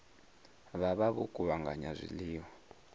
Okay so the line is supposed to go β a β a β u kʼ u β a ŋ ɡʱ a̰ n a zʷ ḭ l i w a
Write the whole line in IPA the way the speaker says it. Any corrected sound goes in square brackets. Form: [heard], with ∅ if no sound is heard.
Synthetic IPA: β a β a β u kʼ u β a ŋ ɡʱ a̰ [ɲ] a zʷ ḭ l [iː] w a